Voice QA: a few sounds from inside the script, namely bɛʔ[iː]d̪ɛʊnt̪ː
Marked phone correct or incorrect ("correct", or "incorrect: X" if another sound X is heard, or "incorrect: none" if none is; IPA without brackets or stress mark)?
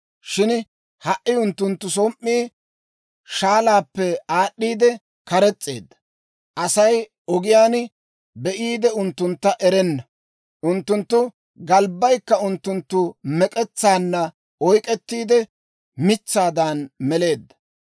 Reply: correct